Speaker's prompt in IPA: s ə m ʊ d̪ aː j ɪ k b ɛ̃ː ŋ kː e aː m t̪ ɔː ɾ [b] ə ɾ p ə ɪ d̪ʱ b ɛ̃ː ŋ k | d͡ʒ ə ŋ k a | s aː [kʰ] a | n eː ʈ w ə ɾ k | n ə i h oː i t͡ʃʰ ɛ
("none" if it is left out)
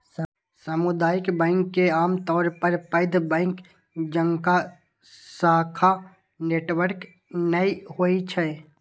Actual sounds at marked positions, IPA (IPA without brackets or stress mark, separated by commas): p, kʰ